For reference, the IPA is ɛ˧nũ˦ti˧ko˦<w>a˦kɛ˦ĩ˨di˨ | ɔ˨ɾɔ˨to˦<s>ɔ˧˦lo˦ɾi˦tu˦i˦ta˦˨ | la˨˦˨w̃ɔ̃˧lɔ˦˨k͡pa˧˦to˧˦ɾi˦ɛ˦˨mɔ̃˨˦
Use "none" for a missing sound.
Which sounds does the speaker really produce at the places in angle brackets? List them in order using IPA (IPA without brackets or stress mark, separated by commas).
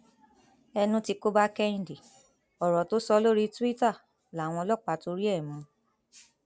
b, s